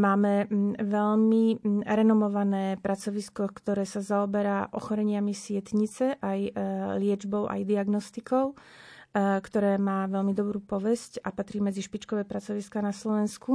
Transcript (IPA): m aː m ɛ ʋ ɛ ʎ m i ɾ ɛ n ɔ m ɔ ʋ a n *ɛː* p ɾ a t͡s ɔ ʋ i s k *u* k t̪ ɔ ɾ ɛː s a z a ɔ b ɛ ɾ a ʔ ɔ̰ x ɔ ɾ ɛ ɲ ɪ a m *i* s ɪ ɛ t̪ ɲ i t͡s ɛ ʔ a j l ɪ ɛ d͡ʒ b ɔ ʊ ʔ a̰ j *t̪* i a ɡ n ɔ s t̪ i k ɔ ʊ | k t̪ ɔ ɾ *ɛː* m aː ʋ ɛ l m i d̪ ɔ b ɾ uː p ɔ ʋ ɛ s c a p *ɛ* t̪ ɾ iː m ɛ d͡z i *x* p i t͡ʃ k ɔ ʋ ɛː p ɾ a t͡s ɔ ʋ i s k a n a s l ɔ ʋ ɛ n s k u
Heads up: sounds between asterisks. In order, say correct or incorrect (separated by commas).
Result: correct, incorrect, correct, incorrect, correct, incorrect, incorrect